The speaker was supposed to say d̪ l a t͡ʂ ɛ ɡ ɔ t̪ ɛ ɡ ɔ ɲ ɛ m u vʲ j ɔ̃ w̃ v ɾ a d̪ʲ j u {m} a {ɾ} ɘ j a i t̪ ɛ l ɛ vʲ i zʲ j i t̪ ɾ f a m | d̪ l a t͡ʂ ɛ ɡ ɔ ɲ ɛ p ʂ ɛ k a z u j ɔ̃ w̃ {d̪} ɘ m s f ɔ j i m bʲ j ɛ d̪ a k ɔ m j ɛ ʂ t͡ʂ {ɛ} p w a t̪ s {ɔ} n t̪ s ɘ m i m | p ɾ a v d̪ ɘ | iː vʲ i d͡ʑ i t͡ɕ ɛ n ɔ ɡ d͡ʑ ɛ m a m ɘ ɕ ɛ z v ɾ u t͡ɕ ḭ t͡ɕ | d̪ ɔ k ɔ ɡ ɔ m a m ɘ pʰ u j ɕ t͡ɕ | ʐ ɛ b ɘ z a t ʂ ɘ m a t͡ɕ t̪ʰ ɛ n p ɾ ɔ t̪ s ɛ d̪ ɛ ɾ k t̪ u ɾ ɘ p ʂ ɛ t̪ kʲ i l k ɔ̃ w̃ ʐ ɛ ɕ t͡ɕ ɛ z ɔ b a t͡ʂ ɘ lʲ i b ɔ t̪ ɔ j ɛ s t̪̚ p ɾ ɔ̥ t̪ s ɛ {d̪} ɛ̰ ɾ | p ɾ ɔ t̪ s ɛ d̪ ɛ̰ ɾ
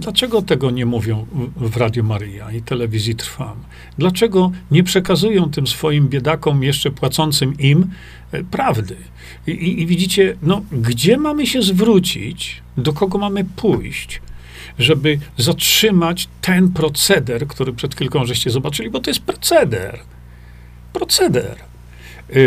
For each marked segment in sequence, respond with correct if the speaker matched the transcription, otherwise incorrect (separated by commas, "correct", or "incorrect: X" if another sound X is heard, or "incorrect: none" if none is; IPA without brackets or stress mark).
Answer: correct, correct, incorrect: t̪, correct, correct, correct